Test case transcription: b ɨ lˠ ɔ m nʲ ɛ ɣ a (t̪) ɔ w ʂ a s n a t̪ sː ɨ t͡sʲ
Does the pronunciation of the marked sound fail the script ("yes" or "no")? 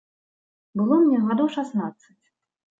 yes